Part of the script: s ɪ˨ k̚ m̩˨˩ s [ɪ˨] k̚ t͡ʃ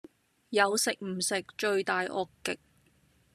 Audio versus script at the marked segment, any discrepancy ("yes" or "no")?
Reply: no